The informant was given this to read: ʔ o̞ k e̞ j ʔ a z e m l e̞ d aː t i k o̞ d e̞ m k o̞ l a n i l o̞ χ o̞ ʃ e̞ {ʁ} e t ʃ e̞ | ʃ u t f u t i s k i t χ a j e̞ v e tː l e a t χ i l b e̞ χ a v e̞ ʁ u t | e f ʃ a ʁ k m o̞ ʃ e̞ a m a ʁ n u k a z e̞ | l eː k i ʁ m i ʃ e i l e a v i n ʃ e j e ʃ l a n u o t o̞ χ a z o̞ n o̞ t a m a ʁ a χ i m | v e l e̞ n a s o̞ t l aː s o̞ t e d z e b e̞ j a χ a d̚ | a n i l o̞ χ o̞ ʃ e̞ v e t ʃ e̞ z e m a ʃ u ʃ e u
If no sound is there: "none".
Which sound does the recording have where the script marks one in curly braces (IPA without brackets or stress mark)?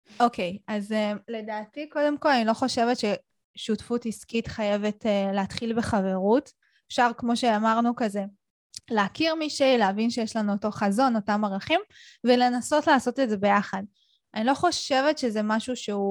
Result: v